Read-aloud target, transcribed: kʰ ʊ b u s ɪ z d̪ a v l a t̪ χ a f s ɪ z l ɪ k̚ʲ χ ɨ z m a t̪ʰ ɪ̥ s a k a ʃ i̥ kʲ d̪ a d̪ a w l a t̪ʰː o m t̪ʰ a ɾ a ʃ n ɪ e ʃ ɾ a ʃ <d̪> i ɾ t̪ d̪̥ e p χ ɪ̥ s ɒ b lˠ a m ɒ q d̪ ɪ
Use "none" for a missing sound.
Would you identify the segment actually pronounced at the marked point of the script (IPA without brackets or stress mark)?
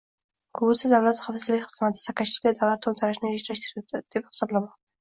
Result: t̪